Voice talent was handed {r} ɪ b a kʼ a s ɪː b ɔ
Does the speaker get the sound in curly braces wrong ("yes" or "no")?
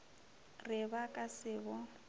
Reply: no